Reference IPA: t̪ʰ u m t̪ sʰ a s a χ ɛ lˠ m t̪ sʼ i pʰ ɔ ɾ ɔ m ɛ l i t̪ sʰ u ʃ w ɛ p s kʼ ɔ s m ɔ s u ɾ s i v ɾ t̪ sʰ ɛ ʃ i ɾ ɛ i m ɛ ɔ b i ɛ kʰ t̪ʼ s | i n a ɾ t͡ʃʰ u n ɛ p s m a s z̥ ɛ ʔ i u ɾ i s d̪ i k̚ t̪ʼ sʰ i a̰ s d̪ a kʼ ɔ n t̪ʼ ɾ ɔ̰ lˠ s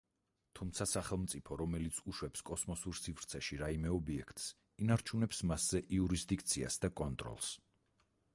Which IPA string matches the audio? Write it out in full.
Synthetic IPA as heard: t̪ʰ u m t̪ sʰ a s a χ ɛ lˠ m t̪ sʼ i pʰ ɔ ɾ ɔ m ɛ l i t̪ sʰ u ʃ w ɛ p s kʼ ɔ s m ɔ s u ɾ s i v ɾ t̪ sʰ ɛ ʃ i ɾ a i m ɛ ɔ b i ɛ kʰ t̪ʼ s | i n a ɾ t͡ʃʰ u n ɛ p s m a s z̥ ɛ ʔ i u ɾ i s d̪ i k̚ t̪ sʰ i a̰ s d̪ a kʼ ɔ n t̪ʼ ɾ ɔ̰ lˠ s

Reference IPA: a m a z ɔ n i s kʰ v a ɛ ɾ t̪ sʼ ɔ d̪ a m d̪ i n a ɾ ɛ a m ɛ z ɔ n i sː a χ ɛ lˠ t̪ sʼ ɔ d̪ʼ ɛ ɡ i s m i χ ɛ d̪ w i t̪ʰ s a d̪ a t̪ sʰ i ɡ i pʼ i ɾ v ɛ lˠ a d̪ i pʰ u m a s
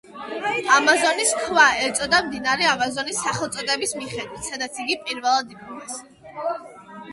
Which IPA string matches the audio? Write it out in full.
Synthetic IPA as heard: a m a z ɔ n i s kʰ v a ɛ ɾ t̪ sʼ ɔ d̪ a m d̪ i n a ɾ ɛ a m a z ɔ n i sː a χ ɛ lˠ t̪ sʼ ɔ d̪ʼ ɛ b i s m i χ ɛ d̪ w i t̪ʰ s a d̪ a t̪ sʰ i ɡ i pʼ i ɾ v ɛ lˠ a d̪ i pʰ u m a s

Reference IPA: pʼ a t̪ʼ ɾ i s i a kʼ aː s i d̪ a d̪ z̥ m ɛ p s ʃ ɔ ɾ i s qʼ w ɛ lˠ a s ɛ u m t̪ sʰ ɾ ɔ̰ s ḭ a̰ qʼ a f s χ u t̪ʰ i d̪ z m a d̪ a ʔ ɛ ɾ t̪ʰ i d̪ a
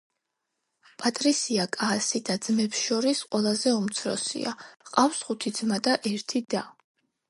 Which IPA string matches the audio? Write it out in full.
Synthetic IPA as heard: pʼ a t̪ʼ ɾ i s i a kʼ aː s i d̪ a d̪ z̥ m ɛ p s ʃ ɔ ɾ i s qʼ w ɛ lˠ a z ɛ u m t̪ sʰ ɾ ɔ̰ s ḭ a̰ qʼ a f s χ u t̪ʰ i d̪ z m a d̪ a ʔ ɛ ɾ t̪ʰ i d̪ a

